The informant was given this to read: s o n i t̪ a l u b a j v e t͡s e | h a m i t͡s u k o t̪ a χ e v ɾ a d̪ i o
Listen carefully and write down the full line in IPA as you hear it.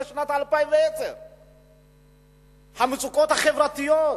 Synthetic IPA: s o n a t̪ a l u p a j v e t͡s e | h a m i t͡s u k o t̪ a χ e v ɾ a t̪ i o